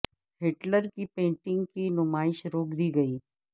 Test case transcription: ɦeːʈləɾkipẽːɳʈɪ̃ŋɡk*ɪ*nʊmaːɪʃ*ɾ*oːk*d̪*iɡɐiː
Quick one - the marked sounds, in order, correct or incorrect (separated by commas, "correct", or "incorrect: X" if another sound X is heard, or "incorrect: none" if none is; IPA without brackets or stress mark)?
incorrect: i, correct, correct